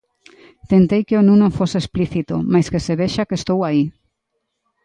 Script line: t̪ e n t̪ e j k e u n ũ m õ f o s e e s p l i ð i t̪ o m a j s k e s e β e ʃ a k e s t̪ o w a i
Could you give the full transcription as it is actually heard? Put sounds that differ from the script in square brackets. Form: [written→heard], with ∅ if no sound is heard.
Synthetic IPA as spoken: t̪ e n t̪ e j k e [u→o] n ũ [m→n] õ f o s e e s p l i [ð→θ] i t̪ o m a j s k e s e β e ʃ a k e s t̪ o w a i

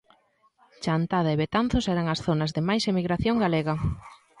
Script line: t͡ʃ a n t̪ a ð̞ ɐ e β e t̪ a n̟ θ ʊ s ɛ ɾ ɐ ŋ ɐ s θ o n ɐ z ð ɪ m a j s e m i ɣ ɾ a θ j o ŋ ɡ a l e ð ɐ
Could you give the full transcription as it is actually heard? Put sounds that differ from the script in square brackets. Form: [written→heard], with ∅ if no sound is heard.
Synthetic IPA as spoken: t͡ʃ a n t̪ a ð̞ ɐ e β e t̪ a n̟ θ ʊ s ɛ ɾ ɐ ŋ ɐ s θ o n ɐ z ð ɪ m a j s e m i ɣ ɾ a θ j o ŋ ɡ a l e [ð→ɣ] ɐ

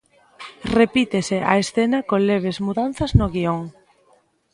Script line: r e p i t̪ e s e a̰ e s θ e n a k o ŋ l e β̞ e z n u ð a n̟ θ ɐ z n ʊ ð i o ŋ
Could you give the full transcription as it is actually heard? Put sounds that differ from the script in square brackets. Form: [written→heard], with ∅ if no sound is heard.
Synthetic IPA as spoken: r e p i t̪ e s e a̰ e s θ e n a k o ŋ l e β̞ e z [n→m] u ð a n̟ θ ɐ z n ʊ [ð→ɣ] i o ŋ

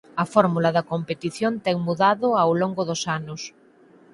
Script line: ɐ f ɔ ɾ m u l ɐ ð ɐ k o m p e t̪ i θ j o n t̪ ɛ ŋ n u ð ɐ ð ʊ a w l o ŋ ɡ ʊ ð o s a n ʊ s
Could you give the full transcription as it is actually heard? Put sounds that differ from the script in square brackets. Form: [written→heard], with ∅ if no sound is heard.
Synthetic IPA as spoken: ɐ f ɔ ɾ m u l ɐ ð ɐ k o m p e t̪ i θ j o n t̪ ɛ ŋ [n→m] u ð [ɐ→a] ð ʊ a w l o ŋ ɡ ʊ ð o s a n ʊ s

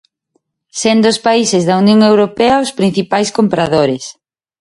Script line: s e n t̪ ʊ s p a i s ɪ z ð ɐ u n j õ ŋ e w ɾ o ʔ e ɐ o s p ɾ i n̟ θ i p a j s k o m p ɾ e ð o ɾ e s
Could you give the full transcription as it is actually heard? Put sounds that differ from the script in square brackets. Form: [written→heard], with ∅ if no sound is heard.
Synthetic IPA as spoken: s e n [t̪→d̪] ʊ s p a i s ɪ z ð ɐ u n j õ ŋ e w ɾ o [ʔ→p] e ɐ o s p ɾ i n̟ θ i p a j s k o m p ɾ [e→a] ð o ɾ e s

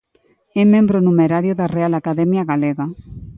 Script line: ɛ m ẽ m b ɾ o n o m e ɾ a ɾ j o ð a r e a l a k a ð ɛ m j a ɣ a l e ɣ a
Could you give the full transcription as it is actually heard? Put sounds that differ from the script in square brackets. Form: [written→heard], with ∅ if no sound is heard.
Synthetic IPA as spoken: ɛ m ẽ m b ɾ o n [o→u] m e ɾ a ɾ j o ð a r e a l a k a ð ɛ m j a ɣ a l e ɣ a

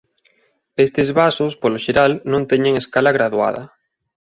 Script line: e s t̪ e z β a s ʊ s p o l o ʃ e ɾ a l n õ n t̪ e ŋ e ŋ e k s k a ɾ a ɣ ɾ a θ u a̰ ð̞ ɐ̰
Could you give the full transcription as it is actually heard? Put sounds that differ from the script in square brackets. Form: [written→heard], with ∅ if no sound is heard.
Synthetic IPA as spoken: e s t̪ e z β a s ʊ s p o l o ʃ e ɾ a l n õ n t̪ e [ŋ→ɲ] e ŋ e [k→∅] s k a [ɾ→l] a ɣ ɾ a [θ→ð] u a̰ ð̞ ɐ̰

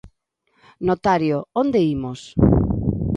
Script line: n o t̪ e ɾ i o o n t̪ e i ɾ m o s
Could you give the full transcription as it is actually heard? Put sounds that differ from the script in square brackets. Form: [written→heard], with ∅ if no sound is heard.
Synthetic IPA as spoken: n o t̪ [e→a] ɾ [i→j] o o n [t̪→d̪] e i [ɾ→∅] m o s

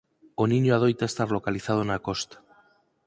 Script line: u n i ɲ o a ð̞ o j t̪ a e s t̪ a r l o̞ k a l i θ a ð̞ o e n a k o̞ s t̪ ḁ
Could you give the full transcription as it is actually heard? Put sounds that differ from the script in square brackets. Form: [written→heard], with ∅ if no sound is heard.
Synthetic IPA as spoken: [u→o] n i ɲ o a ð̞ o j t̪ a e s t̪ a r l o̞ k a l i θ a ð̞ o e n a k o̞ s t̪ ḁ

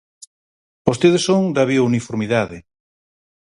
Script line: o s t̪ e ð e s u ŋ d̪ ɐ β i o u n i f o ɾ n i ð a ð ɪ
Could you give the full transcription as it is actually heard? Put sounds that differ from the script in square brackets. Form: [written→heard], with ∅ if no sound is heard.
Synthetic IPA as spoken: o s t̪ e ð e s [u→o] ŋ d̪ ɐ β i o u n i f o ɾ [n→m] i ð a ð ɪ

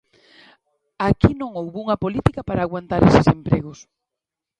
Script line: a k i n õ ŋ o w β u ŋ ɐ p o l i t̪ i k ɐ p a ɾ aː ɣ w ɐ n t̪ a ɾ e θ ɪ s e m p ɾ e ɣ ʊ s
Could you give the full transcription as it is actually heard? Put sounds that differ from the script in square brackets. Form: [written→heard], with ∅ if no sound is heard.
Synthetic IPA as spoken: a k i n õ ŋ o w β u ŋ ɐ p o l i t̪ i k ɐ p a ɾ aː ɣ w [ɐ→a] n t̪ a ɾ e [θ→s] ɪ s e m p ɾ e ɣ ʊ s

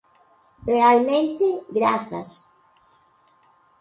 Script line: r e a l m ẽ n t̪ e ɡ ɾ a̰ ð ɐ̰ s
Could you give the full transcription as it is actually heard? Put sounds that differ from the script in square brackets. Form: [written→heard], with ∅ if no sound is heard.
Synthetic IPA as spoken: r e a l m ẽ n t̪ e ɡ ɾ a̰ [ð→θ] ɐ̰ s

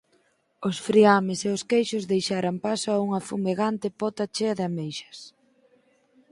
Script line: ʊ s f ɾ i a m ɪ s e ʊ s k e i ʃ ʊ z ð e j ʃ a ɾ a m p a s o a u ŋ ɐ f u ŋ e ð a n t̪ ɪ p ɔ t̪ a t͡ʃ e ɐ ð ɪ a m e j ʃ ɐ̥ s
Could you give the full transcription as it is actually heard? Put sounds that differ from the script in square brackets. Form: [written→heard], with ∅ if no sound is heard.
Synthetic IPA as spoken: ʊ s f ɾ i a m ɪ s e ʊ s k e [i→j] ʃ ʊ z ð e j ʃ a ɾ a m p a s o a u ŋ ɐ f u [ŋ→m] e [ð→ɣ] a n t̪ ɪ p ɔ t̪ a t͡ʃ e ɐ ð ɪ a m e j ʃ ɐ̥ s

